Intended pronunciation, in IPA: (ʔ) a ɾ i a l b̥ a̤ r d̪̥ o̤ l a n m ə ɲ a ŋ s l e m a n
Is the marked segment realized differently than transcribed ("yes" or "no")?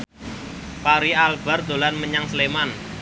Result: yes